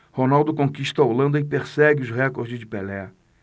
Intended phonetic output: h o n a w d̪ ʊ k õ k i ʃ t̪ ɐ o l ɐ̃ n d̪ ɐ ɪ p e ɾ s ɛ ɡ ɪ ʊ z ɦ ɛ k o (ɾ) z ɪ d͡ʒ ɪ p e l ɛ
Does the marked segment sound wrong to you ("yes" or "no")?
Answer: no